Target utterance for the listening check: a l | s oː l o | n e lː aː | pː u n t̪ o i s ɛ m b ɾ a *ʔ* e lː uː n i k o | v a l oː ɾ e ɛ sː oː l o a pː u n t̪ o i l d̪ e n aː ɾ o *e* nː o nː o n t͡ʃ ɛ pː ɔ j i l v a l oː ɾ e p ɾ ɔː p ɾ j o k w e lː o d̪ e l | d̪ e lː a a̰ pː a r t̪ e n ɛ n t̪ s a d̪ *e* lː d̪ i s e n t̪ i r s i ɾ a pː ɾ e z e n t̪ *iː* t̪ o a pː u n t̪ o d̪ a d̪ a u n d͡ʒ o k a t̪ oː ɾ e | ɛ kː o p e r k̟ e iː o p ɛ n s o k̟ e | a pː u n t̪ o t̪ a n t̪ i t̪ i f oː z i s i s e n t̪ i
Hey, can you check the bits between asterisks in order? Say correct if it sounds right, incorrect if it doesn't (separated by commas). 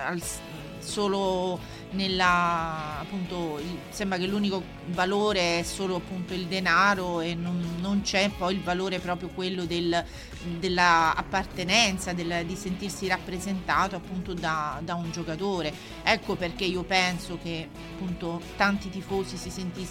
incorrect, correct, correct, incorrect